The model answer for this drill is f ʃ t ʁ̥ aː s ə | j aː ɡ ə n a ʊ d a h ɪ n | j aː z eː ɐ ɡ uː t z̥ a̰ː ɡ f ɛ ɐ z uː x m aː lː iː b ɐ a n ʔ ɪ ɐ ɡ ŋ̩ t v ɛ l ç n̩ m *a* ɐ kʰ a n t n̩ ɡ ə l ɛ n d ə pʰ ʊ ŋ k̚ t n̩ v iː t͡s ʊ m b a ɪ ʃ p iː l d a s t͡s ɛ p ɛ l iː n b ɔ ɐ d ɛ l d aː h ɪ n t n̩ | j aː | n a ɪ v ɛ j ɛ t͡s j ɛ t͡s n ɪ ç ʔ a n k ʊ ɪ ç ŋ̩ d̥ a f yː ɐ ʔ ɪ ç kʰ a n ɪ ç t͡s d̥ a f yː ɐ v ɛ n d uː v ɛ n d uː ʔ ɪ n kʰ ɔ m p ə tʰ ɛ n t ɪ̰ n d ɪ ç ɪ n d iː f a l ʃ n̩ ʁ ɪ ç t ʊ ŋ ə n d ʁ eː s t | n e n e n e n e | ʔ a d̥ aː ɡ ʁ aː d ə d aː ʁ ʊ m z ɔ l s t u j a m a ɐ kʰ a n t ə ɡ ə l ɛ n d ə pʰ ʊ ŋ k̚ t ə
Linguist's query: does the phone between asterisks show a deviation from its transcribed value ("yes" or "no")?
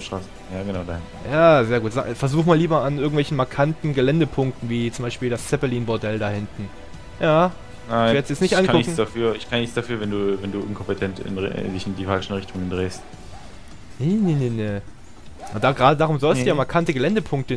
no